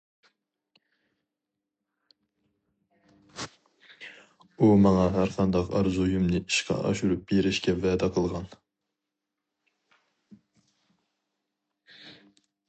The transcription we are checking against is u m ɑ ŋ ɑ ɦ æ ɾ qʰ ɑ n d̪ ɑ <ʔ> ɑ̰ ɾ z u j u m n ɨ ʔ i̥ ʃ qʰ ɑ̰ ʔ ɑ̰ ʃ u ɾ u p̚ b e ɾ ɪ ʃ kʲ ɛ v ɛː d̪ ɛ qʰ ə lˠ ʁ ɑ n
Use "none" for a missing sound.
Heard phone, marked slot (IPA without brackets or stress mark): q